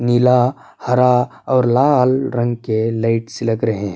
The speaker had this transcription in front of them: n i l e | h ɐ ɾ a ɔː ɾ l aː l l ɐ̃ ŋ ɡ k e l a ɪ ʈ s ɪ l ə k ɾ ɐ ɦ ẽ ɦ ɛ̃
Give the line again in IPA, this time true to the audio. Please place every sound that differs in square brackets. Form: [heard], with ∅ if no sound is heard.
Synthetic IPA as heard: n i l [a] | h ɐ ɾ a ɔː ɾ l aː l [ɾ] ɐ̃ ŋ ɡ k e l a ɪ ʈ s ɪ l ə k ɾ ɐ ɦ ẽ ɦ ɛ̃